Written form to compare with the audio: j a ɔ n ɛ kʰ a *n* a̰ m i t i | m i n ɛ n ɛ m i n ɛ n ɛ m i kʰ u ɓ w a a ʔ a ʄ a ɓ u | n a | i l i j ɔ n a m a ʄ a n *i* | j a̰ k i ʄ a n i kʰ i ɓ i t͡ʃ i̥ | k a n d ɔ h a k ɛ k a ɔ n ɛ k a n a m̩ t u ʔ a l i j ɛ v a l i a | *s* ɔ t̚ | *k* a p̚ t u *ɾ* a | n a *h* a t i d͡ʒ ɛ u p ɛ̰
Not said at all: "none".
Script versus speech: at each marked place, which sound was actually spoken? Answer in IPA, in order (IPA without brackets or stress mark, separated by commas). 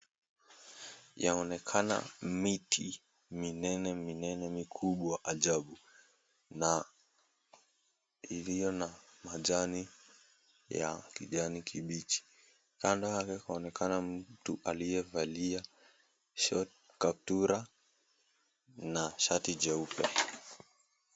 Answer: n, i, ʃ, k, ɾ, ʃ